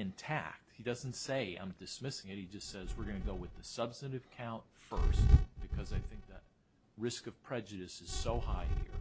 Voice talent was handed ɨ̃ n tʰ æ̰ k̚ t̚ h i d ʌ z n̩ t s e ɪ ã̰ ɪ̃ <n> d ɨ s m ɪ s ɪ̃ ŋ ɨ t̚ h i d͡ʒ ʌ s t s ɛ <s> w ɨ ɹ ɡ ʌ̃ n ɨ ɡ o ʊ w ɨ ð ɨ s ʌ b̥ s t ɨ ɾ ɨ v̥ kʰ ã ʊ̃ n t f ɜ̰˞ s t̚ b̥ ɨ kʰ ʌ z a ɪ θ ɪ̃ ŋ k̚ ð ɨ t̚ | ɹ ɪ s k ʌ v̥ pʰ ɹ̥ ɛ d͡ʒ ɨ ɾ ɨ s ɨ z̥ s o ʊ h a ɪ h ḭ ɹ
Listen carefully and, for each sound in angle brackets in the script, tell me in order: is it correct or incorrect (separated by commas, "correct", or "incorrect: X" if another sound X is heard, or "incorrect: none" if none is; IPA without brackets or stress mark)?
incorrect: m, incorrect: z